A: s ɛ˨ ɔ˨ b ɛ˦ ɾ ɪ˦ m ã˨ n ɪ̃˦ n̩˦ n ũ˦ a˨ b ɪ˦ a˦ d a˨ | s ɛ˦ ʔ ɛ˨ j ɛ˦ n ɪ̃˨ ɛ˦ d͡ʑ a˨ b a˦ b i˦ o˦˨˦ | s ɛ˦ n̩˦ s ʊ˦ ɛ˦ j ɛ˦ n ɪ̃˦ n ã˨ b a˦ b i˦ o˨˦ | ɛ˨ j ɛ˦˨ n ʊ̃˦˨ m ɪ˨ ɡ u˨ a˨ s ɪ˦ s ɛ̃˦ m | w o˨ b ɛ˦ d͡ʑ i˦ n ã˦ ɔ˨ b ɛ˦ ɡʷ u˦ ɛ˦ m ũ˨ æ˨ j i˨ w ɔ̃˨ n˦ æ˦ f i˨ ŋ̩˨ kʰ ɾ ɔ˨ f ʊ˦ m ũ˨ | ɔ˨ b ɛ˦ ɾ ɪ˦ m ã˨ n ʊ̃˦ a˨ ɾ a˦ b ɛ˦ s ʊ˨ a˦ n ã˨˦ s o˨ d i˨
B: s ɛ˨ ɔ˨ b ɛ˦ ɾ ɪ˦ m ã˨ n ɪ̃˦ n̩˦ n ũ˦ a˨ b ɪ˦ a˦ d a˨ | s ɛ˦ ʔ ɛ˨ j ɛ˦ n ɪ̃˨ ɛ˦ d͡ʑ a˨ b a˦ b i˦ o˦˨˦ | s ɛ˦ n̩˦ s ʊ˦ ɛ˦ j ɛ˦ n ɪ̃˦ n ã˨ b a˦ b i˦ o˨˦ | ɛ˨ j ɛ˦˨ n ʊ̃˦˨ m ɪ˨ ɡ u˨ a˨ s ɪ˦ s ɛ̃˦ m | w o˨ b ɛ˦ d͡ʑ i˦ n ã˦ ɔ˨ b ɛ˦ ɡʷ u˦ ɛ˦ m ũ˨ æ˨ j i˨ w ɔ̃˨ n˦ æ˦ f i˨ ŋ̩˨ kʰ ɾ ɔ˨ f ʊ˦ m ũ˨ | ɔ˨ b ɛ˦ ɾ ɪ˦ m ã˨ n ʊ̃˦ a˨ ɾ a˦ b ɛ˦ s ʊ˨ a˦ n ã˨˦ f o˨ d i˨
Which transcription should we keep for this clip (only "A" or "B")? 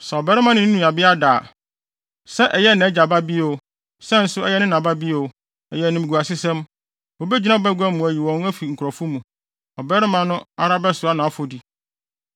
B